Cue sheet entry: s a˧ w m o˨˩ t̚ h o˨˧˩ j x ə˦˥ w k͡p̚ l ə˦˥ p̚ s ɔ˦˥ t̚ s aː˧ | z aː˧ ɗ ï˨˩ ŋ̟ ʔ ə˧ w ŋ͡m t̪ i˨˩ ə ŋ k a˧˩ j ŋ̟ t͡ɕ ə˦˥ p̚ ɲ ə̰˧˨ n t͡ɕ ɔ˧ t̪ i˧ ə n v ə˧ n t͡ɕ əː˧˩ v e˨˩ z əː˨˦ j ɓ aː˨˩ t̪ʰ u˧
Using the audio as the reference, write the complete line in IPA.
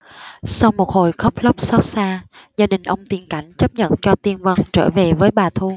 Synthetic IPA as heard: s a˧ w m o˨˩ t̚ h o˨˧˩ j x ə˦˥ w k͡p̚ l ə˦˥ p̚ s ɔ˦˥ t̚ s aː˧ | z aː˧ ɗ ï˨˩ ŋ̟ ʔ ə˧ w ŋ͡m t̪ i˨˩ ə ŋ k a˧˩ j ŋ̟ t͡ɕ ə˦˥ p̚ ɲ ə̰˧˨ n t͡ɕ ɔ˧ t̪ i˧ ə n v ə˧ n t͡ɕ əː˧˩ v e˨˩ v əː˨˦ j ɓ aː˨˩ t̪ʰ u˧